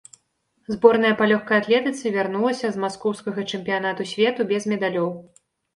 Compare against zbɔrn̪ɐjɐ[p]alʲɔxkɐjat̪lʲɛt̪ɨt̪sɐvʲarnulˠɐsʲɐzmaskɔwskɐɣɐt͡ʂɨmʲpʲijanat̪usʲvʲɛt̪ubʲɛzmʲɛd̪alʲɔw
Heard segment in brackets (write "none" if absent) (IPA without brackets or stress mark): p